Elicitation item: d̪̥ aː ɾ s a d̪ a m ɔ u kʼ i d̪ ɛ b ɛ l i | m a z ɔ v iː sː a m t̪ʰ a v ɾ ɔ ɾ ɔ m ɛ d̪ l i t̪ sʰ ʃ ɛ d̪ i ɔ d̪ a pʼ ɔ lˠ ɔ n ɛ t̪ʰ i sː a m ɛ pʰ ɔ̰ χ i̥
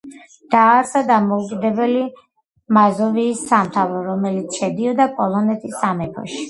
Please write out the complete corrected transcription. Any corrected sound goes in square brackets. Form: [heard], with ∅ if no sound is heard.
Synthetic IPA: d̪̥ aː ɾ s a d̪ a m ɔ u kʼ i d̪ ɛ b ɛ l i | m a z ɔ v iː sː a m t̪ʰ a v ɾ ɔ ɾ ɔ m ɛ [∅] l i t̪ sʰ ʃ ɛ d̪ i ɔ d̪ a pʼ ɔ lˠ ɔ n ɛ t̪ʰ i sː a m ɛ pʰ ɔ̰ [ʃ] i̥